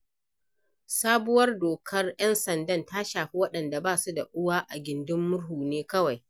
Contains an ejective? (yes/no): no